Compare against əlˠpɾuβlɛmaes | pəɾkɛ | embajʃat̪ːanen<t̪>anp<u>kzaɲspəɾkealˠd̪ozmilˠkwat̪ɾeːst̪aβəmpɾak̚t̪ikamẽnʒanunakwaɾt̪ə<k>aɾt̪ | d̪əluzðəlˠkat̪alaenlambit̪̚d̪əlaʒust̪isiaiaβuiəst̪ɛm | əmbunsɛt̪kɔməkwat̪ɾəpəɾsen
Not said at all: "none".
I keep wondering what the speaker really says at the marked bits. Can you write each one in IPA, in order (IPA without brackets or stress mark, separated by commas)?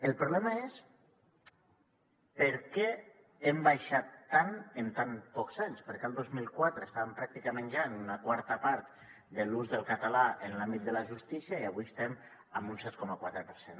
t̪, ɔ, p